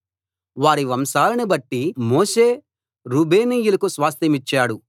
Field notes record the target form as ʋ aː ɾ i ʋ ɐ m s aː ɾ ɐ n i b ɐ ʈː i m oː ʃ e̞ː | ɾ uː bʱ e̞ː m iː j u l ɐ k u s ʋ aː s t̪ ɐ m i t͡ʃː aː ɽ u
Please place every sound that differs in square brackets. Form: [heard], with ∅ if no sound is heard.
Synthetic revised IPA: ʋ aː ɾ i ʋ ɐ m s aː [l] ɐ n i b ɐ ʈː i m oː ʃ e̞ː | ɾ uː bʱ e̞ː [n] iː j u l ɐ k u s ʋ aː s t̪ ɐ m i t͡ʃː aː ɽ u